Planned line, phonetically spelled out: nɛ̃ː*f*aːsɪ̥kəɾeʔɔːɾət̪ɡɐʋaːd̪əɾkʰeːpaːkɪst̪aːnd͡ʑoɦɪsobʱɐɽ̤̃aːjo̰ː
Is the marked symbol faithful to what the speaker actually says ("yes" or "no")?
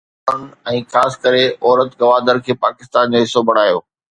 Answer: no